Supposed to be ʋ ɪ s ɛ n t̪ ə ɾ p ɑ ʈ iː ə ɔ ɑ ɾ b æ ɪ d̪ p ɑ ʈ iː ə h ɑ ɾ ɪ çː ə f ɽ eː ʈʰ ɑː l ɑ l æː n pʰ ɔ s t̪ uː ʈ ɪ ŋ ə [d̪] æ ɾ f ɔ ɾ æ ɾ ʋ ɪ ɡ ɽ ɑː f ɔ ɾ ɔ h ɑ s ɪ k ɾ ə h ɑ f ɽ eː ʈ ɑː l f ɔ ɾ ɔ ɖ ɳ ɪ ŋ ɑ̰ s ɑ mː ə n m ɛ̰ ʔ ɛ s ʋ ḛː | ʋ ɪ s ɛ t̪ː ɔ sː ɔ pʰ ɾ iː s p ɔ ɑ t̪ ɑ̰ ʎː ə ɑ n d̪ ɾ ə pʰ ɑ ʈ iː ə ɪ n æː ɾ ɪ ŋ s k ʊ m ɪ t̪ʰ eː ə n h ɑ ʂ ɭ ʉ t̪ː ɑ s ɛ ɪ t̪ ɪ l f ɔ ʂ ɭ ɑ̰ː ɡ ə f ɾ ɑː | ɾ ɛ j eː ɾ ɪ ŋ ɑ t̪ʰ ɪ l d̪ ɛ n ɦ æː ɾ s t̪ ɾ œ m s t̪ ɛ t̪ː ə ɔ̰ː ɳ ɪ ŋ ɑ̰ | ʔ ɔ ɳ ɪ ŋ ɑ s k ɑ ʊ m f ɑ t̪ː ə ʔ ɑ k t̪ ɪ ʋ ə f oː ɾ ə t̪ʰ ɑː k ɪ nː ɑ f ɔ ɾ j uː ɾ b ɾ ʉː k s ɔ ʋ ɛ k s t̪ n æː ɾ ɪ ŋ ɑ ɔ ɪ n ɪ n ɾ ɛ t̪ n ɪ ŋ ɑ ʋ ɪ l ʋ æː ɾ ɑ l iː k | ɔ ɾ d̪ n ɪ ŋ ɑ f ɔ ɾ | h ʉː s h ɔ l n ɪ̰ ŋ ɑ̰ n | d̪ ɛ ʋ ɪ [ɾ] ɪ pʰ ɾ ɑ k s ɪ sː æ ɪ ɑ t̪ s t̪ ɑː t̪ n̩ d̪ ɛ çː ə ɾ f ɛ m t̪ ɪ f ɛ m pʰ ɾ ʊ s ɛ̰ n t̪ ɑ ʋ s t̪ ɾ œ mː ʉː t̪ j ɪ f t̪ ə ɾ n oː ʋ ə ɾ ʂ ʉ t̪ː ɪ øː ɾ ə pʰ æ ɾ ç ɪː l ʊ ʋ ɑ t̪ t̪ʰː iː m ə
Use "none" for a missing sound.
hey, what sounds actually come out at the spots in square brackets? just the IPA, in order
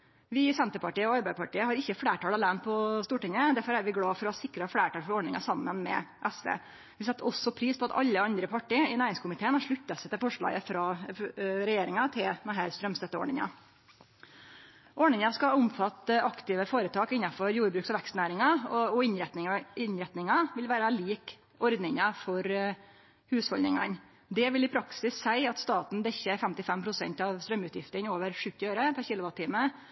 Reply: d̪, l

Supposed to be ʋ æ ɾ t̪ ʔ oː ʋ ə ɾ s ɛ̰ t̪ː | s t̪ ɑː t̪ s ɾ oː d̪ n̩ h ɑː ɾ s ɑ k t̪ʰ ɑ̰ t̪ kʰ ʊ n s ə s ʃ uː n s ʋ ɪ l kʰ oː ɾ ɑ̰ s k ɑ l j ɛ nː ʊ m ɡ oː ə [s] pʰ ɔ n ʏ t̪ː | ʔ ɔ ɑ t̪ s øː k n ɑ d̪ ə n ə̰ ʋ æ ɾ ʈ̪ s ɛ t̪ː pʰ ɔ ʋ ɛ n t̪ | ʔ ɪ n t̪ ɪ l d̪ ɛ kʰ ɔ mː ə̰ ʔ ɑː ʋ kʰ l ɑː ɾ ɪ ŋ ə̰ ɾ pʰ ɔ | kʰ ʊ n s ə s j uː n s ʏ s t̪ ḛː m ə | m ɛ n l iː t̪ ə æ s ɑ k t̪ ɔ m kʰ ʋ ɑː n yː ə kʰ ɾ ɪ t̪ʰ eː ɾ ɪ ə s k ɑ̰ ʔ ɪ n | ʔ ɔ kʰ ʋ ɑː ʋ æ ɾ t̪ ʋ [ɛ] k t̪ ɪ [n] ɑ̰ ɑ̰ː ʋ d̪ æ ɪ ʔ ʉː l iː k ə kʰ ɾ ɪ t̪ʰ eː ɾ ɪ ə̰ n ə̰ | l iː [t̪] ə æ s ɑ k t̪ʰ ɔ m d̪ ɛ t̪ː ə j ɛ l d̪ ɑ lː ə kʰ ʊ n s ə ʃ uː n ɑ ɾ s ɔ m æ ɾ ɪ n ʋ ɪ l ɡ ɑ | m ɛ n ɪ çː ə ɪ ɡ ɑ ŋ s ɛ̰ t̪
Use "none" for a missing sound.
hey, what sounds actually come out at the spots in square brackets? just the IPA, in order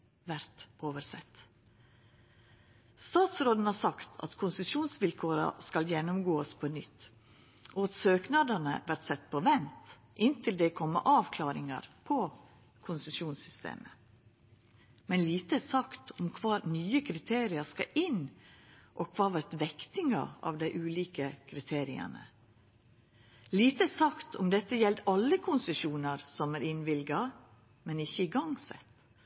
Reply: s, ɛ, ŋ, t̪

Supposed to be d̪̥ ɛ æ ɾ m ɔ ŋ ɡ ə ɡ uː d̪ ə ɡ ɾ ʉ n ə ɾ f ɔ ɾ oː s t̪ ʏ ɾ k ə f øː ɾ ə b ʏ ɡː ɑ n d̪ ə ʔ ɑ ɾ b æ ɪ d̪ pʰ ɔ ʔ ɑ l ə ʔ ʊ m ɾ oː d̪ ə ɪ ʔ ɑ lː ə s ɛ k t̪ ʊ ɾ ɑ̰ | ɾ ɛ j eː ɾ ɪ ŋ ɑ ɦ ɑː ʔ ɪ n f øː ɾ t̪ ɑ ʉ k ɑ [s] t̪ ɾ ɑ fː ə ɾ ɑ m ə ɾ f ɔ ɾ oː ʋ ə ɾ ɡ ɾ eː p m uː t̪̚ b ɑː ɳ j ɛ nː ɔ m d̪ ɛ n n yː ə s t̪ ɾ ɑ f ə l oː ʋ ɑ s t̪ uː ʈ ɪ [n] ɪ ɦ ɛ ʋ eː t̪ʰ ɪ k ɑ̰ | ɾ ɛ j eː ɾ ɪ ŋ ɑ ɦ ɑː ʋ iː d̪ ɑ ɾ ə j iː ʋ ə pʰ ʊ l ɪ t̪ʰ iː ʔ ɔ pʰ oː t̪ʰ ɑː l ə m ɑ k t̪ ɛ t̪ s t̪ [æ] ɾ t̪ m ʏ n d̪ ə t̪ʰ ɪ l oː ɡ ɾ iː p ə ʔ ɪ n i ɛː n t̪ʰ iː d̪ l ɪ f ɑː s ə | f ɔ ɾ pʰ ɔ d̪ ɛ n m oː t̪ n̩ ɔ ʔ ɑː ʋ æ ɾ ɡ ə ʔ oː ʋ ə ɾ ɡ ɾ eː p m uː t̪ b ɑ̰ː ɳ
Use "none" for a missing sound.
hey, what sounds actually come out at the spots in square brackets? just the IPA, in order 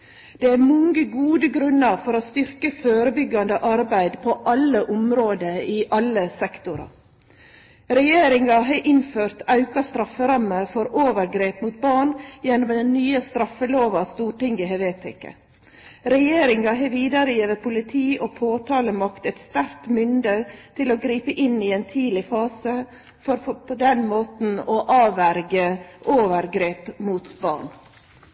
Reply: s, ŋ, æ

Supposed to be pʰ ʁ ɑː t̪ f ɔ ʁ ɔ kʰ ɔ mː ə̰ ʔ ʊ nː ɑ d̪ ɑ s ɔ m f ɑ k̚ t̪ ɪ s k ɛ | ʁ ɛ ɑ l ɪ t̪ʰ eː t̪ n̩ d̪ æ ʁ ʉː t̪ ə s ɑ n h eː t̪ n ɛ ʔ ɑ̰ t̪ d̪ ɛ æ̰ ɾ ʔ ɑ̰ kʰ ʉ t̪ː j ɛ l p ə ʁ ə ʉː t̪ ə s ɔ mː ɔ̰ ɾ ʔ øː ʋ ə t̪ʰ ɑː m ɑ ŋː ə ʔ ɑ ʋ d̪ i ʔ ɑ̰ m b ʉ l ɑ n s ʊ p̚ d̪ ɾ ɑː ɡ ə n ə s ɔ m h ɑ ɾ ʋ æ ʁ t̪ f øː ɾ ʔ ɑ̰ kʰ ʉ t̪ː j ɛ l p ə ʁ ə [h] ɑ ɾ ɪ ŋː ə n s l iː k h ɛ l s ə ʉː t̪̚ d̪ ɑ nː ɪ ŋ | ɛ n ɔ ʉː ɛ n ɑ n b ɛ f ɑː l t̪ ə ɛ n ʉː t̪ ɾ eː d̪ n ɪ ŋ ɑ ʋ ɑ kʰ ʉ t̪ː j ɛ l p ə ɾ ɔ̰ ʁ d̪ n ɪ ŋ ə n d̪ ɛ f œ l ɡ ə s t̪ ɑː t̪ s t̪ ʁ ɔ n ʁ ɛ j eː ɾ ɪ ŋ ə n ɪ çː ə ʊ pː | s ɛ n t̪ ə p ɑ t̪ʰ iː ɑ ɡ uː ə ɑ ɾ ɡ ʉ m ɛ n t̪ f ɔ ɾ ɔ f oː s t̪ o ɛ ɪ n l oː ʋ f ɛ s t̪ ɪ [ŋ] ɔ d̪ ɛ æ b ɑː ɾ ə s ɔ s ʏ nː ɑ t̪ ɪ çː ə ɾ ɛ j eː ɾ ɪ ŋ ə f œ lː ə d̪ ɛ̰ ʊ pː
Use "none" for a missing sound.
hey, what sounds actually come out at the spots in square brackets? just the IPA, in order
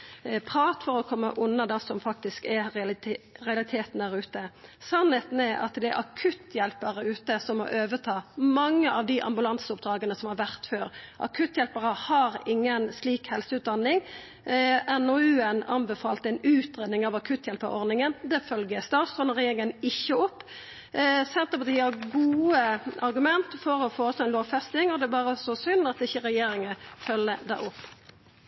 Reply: h, ŋ

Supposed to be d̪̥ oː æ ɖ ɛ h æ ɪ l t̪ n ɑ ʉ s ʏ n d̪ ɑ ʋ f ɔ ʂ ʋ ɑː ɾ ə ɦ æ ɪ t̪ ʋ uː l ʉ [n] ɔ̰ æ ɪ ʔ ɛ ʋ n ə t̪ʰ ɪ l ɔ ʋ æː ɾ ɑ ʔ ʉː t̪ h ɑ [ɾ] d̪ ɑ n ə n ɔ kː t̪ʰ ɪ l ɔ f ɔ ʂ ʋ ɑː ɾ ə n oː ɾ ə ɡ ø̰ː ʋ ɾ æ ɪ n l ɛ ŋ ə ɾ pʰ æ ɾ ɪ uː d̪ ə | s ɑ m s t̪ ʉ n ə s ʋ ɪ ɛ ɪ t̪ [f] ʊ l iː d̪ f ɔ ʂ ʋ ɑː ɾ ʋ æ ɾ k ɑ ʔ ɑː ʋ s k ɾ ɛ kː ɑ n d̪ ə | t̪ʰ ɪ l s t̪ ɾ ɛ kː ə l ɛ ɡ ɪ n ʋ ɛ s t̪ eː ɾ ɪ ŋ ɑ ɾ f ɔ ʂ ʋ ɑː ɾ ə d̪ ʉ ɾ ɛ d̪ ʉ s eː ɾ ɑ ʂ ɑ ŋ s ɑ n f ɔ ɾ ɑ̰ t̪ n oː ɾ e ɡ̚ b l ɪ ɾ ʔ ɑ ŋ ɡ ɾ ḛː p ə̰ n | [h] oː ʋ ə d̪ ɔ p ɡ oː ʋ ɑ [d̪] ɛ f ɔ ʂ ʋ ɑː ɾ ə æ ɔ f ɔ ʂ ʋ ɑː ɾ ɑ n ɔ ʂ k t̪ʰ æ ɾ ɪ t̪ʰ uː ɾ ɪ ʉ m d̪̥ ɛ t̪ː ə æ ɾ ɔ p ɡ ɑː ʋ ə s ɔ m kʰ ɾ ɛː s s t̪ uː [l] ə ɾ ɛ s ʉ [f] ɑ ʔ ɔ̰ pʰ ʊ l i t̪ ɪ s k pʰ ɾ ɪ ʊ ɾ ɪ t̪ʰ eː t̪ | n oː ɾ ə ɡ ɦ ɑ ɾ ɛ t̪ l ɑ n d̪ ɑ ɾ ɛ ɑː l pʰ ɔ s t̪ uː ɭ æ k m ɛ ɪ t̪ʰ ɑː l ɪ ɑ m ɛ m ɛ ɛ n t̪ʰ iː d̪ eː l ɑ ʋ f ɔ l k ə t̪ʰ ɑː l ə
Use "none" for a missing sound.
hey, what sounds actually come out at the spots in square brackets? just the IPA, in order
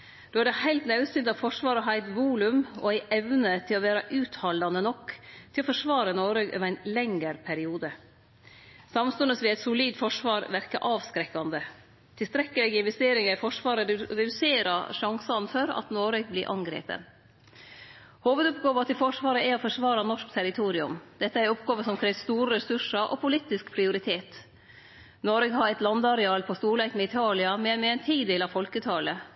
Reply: m, l, s, h, t̪, ɾ, ʂ

